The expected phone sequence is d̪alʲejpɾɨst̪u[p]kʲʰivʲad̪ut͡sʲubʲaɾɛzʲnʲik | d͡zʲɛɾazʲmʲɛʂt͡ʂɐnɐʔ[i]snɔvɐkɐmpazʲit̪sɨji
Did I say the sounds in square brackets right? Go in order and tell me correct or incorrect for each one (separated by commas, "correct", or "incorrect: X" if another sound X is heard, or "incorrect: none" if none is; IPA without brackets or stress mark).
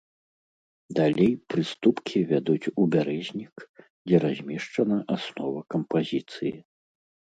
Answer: correct, incorrect: a